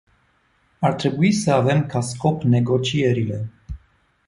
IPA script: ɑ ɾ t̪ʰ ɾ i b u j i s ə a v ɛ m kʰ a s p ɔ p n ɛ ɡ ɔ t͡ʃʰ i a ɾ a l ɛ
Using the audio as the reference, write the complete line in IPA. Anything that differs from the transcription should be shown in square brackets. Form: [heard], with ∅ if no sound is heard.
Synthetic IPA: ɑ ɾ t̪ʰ ɾ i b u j i s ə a v ɛ m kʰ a s [k] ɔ p n ɛ ɡ ɔ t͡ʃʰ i [ɛ] ɾ [i] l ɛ